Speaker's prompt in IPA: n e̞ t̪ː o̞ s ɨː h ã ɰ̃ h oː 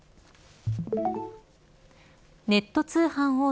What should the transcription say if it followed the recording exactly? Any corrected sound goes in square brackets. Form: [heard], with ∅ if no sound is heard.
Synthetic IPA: n e̞ t̪ː o̞ [t͡s] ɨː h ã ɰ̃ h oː